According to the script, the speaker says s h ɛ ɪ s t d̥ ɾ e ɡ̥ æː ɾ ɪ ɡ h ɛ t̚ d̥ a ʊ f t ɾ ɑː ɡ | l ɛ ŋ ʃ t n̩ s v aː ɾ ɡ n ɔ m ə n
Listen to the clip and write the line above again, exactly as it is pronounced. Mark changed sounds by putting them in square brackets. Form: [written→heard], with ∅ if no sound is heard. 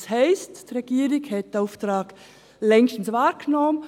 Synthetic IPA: s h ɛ ɪ s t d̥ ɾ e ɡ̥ [æː→iː] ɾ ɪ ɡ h ɛ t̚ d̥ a ʊ f t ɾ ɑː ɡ | l ɛ ŋ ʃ t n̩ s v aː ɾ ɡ n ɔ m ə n